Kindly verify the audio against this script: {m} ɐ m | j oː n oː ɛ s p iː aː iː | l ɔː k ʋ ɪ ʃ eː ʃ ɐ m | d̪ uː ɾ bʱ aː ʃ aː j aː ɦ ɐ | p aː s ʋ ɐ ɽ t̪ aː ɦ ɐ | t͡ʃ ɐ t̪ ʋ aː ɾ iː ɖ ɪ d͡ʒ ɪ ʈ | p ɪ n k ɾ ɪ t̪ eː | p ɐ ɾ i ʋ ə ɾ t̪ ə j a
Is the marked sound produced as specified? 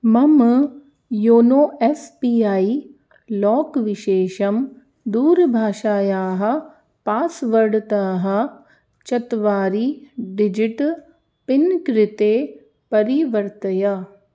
yes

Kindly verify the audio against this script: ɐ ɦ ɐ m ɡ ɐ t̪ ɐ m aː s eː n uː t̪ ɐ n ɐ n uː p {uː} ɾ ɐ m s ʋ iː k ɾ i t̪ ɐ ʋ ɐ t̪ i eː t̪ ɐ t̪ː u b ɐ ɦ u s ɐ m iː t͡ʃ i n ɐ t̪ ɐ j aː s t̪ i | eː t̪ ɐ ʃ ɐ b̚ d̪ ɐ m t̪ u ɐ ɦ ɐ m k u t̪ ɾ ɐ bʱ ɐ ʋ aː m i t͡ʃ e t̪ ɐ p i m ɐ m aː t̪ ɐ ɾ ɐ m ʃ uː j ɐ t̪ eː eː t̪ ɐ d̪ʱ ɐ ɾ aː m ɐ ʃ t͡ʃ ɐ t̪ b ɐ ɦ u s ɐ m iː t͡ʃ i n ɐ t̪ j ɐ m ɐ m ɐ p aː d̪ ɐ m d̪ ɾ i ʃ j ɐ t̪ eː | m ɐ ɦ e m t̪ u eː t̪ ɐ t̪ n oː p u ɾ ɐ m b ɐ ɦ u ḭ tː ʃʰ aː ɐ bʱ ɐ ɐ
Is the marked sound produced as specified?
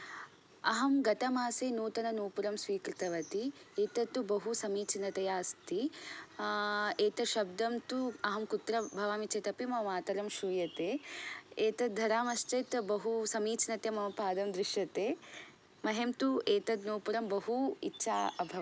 no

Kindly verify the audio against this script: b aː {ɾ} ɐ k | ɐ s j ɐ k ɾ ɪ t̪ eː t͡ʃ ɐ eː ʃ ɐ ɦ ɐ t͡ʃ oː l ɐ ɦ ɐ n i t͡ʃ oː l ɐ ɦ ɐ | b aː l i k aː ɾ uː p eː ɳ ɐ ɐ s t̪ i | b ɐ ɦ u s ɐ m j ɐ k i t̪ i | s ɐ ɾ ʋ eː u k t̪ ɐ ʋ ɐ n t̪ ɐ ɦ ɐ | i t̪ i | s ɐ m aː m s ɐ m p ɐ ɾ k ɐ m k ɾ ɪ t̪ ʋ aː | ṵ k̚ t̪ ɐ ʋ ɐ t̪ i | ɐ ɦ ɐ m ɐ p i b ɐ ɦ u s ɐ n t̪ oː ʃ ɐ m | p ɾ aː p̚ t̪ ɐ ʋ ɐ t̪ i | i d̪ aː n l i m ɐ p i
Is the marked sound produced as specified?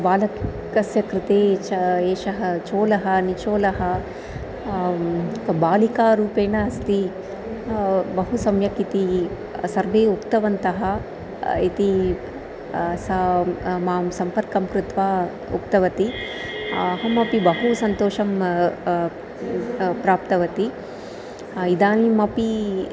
no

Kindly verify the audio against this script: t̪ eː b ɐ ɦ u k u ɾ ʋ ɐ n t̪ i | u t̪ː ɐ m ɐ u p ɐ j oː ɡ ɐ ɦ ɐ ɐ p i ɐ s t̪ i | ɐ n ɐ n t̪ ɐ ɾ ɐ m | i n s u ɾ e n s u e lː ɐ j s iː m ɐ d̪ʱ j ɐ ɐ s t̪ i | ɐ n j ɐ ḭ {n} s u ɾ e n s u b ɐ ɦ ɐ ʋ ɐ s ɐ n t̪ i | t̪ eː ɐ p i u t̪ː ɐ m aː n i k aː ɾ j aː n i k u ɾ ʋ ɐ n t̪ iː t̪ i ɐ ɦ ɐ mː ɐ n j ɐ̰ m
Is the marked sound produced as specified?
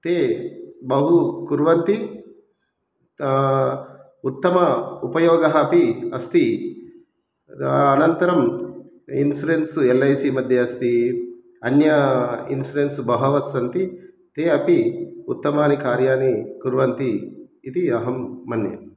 yes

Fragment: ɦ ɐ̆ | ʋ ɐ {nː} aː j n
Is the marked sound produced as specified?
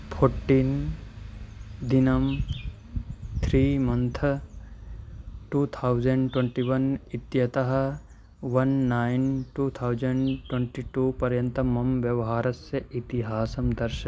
yes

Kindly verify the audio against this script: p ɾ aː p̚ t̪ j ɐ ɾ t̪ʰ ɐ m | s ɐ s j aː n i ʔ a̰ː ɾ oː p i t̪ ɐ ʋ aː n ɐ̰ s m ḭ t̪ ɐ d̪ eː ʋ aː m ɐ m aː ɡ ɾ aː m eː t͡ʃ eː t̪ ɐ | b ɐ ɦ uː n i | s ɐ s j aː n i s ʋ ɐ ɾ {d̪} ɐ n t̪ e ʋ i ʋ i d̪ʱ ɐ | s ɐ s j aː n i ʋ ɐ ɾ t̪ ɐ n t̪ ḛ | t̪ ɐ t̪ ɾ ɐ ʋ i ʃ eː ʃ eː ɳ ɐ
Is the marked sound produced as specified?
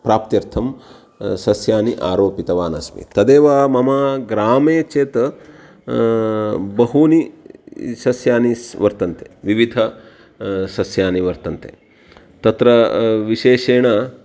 no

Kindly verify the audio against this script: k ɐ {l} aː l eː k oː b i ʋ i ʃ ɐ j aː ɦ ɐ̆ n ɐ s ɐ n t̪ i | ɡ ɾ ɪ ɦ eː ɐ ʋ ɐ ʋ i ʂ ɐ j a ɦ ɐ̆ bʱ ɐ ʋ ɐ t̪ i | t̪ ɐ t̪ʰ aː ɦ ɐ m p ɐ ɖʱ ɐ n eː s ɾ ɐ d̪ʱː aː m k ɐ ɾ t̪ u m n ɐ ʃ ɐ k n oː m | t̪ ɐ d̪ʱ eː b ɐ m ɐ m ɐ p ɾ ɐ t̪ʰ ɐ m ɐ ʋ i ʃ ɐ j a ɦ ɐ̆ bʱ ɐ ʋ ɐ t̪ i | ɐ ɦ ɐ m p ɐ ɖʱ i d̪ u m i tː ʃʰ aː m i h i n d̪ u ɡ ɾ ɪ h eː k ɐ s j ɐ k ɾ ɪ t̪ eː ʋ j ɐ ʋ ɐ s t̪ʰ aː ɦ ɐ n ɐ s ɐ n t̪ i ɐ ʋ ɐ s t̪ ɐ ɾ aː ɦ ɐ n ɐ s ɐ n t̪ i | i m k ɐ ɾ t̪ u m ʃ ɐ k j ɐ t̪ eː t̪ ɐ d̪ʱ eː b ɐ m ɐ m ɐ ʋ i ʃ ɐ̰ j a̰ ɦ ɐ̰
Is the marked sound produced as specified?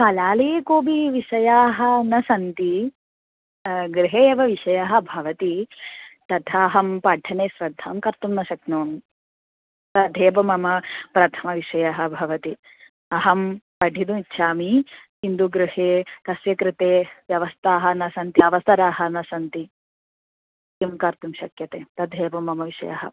yes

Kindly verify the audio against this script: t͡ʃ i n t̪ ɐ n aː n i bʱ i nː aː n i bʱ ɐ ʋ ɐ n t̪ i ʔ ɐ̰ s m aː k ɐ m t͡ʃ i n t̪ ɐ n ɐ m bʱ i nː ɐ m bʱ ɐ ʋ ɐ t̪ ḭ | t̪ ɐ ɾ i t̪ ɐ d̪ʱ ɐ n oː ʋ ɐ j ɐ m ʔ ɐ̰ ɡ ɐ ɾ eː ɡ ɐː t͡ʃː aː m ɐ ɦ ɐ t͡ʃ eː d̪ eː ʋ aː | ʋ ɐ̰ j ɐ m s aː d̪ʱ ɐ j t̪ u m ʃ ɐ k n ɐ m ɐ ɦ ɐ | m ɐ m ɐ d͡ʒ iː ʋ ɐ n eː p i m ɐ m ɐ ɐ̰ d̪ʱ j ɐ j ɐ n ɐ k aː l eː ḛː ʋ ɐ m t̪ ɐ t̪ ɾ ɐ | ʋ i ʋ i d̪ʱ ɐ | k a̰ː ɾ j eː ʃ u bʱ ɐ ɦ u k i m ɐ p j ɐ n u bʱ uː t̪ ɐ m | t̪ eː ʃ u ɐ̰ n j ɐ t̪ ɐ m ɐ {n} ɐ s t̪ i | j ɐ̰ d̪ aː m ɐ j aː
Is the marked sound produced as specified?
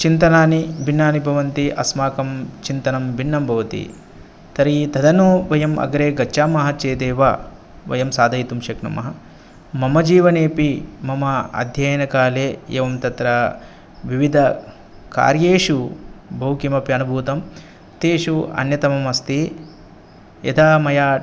no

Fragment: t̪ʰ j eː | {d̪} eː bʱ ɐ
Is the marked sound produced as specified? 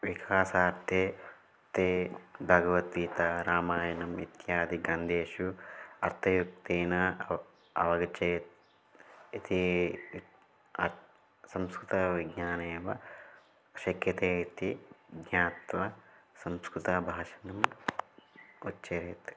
no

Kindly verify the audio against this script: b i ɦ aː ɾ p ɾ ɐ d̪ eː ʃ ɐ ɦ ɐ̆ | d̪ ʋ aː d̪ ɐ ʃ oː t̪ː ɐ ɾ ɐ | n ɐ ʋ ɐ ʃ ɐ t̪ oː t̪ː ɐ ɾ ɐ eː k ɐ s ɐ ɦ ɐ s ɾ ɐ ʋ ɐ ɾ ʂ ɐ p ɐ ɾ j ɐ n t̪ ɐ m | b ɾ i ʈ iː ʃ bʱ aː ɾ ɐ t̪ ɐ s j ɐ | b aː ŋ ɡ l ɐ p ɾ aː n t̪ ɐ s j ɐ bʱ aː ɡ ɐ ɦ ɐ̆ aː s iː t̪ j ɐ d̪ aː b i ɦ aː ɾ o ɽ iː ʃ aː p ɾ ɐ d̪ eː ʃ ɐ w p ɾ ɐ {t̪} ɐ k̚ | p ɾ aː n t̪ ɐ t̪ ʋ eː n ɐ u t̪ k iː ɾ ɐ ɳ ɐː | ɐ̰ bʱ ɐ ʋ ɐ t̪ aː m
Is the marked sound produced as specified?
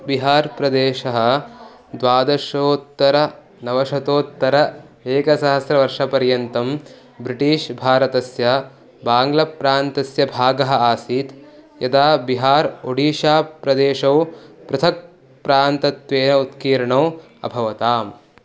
no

